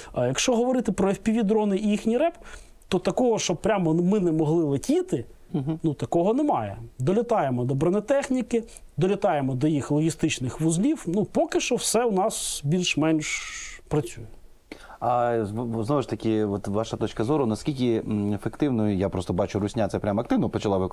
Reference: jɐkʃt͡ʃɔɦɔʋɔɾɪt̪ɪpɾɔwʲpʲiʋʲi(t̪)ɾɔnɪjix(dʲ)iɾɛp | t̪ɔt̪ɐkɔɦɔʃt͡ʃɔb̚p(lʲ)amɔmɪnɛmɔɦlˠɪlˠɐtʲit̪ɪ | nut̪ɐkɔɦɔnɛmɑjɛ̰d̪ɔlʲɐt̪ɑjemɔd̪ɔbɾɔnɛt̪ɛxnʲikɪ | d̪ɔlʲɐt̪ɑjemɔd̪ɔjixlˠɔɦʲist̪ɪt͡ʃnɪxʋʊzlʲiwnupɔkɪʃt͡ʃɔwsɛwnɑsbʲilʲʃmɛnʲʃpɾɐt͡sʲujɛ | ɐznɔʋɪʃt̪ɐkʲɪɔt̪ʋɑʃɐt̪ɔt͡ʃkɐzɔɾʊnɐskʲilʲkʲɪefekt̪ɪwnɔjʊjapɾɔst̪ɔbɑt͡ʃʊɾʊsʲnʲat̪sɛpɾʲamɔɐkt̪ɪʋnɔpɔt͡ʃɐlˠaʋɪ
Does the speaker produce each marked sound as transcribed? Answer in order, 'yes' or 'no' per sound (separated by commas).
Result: no, no, no